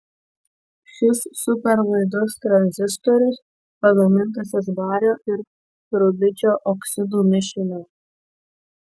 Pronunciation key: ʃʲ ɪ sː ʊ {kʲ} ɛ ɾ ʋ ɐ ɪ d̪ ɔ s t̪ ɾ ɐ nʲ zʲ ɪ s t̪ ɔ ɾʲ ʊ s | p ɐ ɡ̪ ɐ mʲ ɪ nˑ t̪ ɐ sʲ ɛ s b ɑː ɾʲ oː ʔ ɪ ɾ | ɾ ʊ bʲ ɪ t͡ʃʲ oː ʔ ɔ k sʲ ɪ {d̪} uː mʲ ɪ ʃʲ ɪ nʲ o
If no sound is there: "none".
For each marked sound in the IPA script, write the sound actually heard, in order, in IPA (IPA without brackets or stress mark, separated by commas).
pʲ, d̪